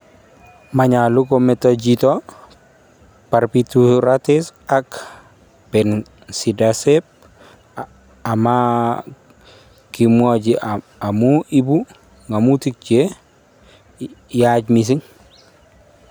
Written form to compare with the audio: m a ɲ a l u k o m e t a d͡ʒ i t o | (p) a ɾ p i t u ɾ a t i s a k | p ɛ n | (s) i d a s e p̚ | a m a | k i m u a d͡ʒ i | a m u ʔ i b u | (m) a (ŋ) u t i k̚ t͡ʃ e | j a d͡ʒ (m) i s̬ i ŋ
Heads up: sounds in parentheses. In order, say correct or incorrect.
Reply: correct, correct, incorrect, incorrect, correct

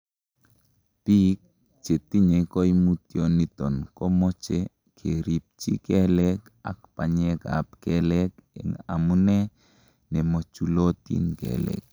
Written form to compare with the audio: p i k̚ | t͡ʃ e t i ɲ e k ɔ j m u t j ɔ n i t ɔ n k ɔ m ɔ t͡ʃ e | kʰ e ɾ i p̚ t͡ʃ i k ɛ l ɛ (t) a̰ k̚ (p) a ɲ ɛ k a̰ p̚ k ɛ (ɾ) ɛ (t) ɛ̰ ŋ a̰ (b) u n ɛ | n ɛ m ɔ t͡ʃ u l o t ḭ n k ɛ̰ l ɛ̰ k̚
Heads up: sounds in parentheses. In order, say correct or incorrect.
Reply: incorrect, correct, incorrect, incorrect, incorrect

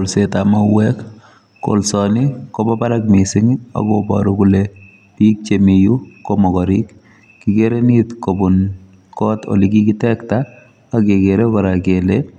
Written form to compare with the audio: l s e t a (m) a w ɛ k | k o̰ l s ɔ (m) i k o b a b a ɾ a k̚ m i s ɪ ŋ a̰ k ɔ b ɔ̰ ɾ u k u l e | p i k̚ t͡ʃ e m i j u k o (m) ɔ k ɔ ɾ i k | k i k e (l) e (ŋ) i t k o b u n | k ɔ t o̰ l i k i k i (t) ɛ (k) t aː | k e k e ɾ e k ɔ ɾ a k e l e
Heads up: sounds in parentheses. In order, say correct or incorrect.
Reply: correct, incorrect, correct, incorrect, incorrect, correct, correct

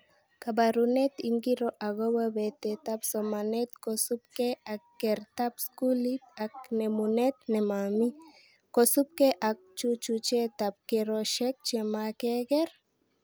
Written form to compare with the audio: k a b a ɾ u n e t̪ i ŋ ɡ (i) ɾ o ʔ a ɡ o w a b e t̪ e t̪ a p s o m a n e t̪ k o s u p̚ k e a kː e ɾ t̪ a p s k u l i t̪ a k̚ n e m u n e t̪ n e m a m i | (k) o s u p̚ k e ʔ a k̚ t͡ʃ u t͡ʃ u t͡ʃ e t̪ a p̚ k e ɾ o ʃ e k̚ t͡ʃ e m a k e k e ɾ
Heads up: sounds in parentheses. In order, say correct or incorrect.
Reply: correct, correct

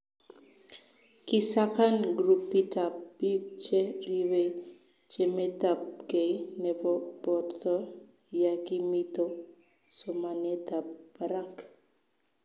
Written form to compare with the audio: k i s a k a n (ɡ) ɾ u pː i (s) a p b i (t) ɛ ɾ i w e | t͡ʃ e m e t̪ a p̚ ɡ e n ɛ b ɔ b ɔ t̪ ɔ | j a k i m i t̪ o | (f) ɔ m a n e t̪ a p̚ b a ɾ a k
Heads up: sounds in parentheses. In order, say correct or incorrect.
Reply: correct, incorrect, incorrect, incorrect

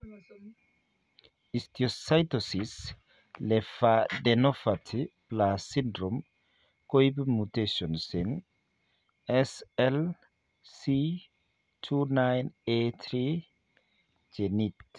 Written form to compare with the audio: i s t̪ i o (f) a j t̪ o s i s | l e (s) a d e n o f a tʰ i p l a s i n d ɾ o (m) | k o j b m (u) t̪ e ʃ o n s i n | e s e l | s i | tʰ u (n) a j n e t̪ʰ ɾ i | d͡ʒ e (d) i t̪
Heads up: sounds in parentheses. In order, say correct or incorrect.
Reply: incorrect, incorrect, correct, correct, correct, incorrect

